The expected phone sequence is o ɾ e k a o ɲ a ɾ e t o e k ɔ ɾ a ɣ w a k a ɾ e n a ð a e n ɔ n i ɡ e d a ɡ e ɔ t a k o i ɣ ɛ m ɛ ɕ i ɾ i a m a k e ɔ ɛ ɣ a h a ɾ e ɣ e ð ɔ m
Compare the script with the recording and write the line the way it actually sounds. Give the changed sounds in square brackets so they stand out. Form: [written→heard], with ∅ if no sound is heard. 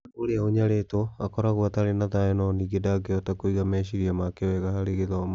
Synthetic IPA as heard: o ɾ e [k→∅] a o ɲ a ɾ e t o [e→a] k ɔ ɾ a ɣ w a [k→t] a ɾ e n a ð a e n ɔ n i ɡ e d a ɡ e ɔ t a k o i ɣ [ɛ→a] m ɛ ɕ i ɾ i a m a k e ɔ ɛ ɣ a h a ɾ e ɣ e ð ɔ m

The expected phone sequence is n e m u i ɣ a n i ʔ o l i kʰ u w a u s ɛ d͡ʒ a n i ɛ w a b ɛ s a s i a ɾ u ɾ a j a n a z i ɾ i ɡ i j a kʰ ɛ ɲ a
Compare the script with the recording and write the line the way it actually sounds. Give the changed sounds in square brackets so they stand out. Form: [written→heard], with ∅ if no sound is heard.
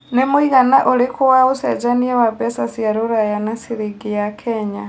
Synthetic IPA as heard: n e m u i ɣ a n [i→a] ʔ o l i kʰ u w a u s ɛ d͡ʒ a n i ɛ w a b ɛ s a s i a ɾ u ɾ a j a n a [z→s] i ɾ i ɡ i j a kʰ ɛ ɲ a

